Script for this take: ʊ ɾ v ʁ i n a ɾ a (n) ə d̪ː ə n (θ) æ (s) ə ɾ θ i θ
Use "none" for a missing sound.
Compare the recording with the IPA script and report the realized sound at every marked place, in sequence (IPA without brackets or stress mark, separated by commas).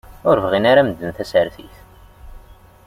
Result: m, θ, s